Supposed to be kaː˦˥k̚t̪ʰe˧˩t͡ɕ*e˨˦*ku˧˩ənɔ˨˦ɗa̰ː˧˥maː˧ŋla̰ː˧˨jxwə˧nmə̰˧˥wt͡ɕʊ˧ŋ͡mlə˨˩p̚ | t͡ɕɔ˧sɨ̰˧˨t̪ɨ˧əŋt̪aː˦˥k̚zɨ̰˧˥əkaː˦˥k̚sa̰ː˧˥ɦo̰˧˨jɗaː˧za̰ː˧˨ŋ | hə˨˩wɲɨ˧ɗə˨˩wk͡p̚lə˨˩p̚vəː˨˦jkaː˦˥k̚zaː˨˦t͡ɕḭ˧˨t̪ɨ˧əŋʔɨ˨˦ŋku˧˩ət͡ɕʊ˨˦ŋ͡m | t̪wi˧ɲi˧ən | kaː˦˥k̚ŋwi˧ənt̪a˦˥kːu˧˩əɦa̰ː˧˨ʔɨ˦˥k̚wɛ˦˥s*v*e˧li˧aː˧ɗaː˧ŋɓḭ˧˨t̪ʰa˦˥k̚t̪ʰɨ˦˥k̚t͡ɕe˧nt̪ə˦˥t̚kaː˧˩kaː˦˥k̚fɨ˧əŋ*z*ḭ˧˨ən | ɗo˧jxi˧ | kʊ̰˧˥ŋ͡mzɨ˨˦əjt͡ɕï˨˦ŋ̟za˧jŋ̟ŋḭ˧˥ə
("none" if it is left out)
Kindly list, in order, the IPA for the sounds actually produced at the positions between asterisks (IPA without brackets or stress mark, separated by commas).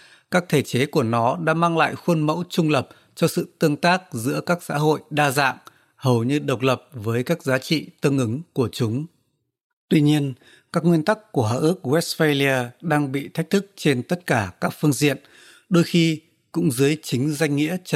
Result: e˨˦, f, z